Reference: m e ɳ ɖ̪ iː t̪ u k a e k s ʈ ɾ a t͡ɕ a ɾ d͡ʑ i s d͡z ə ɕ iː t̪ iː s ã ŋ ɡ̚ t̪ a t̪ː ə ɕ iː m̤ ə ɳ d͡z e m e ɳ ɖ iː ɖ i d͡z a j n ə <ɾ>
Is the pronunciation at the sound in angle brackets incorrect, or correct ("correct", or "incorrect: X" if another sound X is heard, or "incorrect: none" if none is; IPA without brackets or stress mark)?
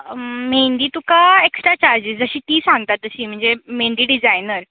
correct